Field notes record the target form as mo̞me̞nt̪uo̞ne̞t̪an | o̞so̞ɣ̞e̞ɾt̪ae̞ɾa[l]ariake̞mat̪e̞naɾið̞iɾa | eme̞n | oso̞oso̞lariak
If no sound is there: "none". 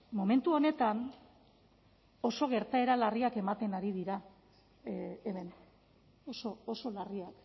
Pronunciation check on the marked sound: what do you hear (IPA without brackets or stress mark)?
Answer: l